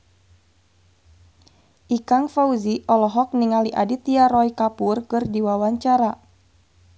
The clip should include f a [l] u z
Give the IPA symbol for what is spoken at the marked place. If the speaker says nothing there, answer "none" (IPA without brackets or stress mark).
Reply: none